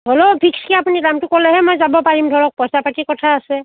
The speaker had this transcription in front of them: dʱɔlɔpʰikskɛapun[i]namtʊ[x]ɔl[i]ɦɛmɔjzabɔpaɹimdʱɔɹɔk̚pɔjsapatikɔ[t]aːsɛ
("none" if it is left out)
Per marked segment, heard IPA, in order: i, k, ɛ, tʰ

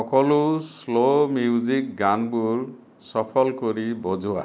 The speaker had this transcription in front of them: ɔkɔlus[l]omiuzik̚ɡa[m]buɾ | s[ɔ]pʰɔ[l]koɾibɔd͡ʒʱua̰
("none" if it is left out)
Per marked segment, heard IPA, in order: l, n, ɔ, l

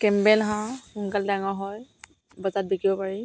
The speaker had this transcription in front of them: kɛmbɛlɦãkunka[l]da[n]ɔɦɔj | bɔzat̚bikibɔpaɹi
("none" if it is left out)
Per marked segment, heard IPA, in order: l, ŋ

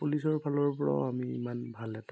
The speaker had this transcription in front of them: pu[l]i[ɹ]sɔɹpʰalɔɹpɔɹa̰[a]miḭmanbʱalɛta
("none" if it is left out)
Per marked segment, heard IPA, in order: l, none, a

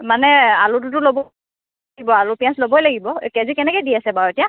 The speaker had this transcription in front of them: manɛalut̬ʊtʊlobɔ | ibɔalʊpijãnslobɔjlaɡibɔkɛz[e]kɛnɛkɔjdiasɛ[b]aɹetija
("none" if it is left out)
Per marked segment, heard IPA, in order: i, b

